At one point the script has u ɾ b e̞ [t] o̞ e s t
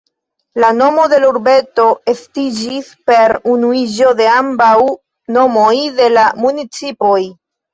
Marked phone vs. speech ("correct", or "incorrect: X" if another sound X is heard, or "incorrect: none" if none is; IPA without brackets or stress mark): correct